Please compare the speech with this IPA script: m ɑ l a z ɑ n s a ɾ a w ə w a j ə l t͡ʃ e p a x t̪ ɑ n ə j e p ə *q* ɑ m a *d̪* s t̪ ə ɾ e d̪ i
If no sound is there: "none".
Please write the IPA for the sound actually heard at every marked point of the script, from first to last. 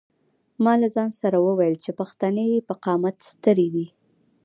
q, t̪

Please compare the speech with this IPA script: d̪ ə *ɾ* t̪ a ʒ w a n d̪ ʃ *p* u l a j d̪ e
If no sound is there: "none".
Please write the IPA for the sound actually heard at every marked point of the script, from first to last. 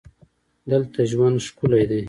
l, k

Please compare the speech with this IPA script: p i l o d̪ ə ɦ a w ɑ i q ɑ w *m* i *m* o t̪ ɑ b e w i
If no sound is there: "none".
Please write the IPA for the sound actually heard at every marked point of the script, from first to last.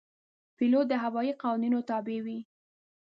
n, n

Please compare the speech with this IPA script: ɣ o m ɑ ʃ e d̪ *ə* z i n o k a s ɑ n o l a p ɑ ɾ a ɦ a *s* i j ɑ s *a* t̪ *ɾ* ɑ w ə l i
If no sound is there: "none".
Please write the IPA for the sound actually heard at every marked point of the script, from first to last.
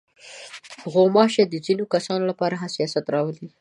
ə, s, a, ɾ

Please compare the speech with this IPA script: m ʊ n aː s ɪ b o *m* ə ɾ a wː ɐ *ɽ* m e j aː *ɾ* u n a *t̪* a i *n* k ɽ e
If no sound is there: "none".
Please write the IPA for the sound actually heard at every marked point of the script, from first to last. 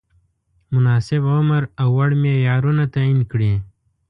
m, ɽ, ɾ, t̪, n

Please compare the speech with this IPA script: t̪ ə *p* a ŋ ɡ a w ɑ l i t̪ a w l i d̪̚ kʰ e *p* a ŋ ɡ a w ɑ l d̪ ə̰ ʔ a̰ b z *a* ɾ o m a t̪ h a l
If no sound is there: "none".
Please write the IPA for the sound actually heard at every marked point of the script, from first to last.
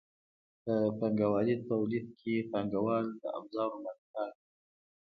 p, p, ɑ

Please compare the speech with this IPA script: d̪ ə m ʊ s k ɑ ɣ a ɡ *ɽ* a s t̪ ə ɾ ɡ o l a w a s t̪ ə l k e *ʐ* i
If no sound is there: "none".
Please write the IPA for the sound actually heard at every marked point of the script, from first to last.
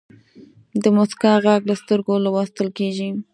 l, ʒ

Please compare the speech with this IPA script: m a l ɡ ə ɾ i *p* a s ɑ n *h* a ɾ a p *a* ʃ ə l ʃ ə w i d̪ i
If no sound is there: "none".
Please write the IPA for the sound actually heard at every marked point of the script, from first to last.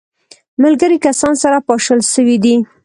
k, s, ɑ

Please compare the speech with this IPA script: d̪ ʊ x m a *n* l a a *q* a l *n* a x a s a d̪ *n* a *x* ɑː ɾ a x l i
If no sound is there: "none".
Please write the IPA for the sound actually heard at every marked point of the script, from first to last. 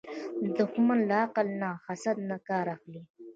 n, q, n, n, k

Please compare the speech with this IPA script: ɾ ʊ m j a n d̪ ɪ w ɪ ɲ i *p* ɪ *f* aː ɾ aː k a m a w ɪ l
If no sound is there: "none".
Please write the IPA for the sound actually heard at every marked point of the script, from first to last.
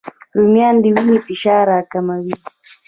p, ʃ

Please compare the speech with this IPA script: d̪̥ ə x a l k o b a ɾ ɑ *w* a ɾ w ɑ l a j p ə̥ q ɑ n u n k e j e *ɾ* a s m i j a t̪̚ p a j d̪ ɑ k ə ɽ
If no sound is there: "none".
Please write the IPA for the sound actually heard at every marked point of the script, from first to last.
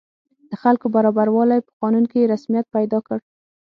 b, ɾ

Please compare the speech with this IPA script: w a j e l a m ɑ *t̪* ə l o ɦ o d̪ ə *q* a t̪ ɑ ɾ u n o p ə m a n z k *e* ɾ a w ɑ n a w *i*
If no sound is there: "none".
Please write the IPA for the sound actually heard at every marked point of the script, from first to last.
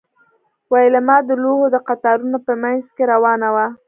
d̪, q, e, a

